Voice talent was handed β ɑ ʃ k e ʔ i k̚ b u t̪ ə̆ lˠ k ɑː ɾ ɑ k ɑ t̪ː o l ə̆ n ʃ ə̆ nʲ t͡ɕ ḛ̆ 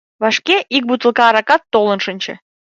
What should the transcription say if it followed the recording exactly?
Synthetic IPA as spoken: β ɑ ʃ k e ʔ i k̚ b u t̪ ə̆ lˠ k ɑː ɾ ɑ k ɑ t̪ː o l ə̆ n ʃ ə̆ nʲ t͡ɕ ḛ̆